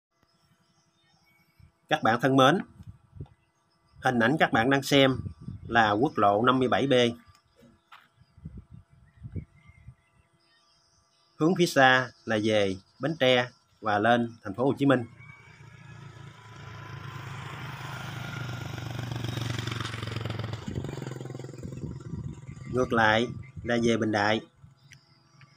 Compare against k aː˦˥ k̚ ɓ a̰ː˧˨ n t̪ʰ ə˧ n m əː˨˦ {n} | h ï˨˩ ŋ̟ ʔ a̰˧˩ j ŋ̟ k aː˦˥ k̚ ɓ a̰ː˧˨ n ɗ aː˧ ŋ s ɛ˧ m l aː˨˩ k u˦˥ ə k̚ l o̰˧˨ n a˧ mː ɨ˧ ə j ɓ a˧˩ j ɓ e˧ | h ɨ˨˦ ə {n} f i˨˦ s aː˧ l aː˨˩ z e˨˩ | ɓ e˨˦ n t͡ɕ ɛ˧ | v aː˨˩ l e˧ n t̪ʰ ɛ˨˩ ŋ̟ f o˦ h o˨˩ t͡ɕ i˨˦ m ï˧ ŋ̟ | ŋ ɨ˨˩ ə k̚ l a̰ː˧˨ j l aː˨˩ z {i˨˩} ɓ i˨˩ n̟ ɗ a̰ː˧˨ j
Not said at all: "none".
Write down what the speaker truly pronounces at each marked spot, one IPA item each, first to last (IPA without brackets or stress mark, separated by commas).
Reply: n, ŋ, e˨˩